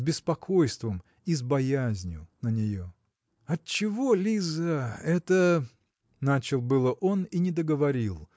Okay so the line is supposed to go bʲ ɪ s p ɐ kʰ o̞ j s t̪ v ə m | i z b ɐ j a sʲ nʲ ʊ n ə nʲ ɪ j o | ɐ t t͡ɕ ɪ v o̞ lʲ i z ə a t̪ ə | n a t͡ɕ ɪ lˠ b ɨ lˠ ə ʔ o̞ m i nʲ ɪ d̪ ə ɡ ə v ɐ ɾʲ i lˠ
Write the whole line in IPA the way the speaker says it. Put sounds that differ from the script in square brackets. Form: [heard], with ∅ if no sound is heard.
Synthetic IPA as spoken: bʲ ɪ s p ɐ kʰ o̞ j s t̪ v ə m | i z b ɐ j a [zʲ] nʲ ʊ n ə nʲ ɪ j o | ɐ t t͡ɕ ɪ v o̞ lʲ i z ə [ɛ] t̪ ə | n a t͡ɕ ɪ lˠ b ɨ lˠ ə ʔ o̞ [n] i nʲ ɪ d̪ ə ɡ ə v ɐ ɾʲ i lˠ